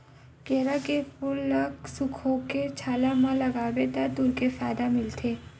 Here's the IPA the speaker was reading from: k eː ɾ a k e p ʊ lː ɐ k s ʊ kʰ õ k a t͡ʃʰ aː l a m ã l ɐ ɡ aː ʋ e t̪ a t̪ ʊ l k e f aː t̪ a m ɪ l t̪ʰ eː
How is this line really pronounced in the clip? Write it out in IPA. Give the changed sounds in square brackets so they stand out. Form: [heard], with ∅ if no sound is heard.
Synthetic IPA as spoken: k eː ɾ a k e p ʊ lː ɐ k s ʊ kʰ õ k [e] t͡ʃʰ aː l a m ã l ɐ ɡ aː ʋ e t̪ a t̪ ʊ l k e f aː [d̪] a m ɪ l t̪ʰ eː